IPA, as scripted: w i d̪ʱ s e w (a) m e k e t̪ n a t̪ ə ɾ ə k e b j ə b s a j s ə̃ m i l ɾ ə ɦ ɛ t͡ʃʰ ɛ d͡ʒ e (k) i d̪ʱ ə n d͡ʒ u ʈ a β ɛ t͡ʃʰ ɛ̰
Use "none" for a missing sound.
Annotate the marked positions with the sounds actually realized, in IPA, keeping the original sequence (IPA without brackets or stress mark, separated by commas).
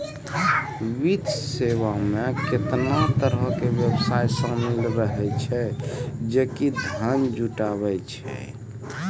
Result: a, k